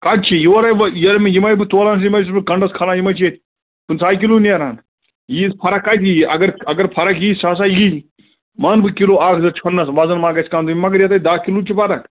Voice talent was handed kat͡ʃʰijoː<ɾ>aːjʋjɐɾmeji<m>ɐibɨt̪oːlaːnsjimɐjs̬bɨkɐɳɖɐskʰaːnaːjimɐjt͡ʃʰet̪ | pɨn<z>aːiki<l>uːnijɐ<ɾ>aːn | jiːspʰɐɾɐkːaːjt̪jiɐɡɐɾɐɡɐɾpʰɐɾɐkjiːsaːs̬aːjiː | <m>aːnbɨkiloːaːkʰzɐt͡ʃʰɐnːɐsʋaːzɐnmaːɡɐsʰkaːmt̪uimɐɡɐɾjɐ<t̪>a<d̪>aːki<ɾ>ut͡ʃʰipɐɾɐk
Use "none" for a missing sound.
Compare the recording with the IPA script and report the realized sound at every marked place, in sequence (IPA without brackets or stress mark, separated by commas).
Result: ɾ, m, s, l, ɾ, m, t̪, d̪, l